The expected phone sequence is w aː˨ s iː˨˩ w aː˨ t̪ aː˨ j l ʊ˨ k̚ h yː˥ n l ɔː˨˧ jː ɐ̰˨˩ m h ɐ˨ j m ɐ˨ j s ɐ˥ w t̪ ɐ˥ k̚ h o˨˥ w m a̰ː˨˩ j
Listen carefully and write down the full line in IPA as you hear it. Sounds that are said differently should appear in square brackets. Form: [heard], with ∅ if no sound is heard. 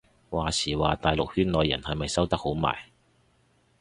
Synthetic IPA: w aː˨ s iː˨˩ w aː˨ t̪ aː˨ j l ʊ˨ k̚ h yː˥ n l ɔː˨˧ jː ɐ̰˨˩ [n] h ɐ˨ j m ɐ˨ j s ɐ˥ w t̪ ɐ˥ k̚ h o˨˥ w m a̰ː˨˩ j